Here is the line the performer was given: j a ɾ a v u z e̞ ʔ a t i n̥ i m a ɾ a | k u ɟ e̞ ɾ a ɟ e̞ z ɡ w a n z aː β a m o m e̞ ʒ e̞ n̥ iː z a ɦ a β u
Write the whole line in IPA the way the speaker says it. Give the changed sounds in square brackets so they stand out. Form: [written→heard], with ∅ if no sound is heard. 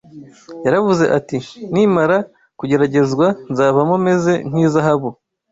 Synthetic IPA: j a ɾ a v u z e̞ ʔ a t i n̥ i m a ɾ a | k u ɟ e̞ ɾ a ɟ e̞ z ɡ w a n z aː β a m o m e̞ [ʒ→z] e̞ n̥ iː z a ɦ a β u